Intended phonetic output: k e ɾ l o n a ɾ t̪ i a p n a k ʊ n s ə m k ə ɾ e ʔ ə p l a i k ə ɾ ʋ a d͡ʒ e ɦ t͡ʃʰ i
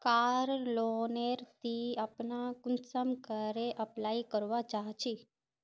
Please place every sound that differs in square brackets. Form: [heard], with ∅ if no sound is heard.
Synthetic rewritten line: k [a] ɾ l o n [e] ɾ t̪ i a p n a k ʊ n s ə m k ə ɾ e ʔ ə p l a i k ə ɾ ʋ a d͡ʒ [a] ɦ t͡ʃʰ i